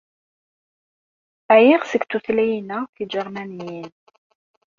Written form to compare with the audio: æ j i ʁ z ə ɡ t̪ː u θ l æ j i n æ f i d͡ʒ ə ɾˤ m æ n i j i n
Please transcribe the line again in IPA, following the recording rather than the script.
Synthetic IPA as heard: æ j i ʁ s ə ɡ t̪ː u θ l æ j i n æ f i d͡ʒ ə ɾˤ m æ n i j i n